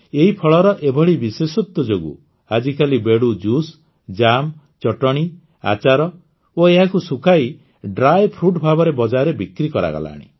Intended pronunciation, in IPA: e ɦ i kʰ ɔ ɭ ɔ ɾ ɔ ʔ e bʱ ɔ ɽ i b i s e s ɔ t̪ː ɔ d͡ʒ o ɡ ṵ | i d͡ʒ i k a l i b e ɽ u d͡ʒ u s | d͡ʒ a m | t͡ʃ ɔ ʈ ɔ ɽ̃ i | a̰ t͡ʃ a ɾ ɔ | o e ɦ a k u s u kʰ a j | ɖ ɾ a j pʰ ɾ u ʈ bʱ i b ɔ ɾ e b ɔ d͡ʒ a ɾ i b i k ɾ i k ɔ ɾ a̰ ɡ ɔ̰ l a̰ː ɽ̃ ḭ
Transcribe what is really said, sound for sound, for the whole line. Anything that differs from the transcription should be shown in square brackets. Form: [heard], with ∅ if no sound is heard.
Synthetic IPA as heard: e ɦ i [pʰ] ɔ ɭ ɔ ɾ ɔ ʔ e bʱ ɔ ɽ i b i s e s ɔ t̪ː ɔ d͡ʒ o ɡ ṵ | [a] d͡ʒ i k a l i b e ɽ u d͡ʒ u s | d͡ʒ a m | t͡ʃ ɔ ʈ ɔ ɽ̃ i | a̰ t͡ʃ a ɾ ɔ | o e ɦ a k u s u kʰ a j | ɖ ɾ a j pʰ ɾ u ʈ bʱ [a] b ɔ ɾ e b ɔ d͡ʒ a ɾ [e] b i k ɾ i k ɔ ɾ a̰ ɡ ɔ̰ l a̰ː ɽ̃ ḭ